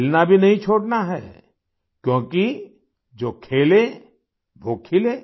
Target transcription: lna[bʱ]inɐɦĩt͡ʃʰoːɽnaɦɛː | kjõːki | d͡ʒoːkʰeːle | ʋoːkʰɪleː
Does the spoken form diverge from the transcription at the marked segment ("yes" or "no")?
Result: no